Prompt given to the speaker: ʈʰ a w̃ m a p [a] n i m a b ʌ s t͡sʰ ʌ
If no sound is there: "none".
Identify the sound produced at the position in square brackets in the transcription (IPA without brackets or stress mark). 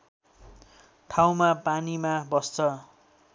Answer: a